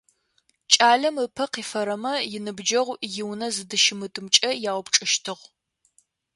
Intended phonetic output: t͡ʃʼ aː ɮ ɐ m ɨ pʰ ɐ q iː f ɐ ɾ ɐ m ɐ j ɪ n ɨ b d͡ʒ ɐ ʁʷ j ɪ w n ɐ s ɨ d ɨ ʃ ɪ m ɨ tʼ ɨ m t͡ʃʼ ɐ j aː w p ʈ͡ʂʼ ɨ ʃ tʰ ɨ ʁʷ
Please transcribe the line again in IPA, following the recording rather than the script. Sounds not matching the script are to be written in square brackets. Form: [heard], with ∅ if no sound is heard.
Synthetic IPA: t͡ʃʼ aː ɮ ɐ m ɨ pʰ ɐ q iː f ɐ ɾ ɐ m ɐ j ɪ n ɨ b d͡ʒ ɐ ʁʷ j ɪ w n ɐ [z] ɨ d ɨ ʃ ɪ m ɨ tʼ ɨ m t͡ʃʼ ɐ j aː w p ʈ͡ʂʼ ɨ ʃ tʰ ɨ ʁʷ